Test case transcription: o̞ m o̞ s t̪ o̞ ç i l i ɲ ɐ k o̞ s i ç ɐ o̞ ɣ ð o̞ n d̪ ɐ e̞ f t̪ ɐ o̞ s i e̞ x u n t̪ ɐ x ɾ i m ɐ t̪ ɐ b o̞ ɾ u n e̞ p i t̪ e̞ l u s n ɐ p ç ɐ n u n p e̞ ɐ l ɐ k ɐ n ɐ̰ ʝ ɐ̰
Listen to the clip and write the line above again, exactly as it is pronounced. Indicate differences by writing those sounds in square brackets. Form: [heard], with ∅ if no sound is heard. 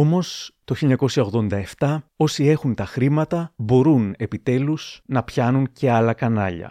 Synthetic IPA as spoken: o̞ m o̞ s t̪ o̞ ç i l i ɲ ɐ k o̞ s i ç ɐ o̞ ɣ ð o̞ n d̪ ɐ e̞ f t̪ ɐ o̞ s i e̞ x u n t̪ ɐ x ɾ i m ɐ t̪ ɐ b o̞ ɾ u n e̞ p i t̪ e̞ l u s n ɐ p ç ɐ n u n [c] e̞ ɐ l ɐ k ɐ n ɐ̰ [ʎ] ɐ̰